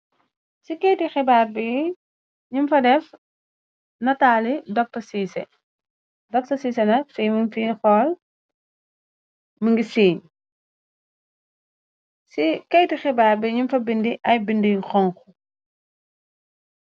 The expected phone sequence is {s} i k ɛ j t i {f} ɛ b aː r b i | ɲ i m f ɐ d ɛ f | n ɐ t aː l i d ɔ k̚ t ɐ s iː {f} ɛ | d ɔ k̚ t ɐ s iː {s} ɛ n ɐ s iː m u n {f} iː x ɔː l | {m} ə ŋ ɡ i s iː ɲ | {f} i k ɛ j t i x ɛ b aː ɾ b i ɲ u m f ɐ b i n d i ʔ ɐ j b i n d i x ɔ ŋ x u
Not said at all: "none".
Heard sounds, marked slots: s, x, s, s, f, m, s

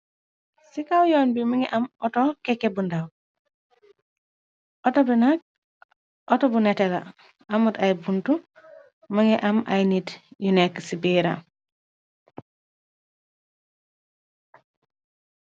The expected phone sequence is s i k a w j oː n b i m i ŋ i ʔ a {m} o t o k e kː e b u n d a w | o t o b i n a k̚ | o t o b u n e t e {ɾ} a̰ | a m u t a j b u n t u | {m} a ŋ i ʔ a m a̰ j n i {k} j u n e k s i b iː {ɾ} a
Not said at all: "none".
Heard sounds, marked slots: m, l, m, t, ɾ

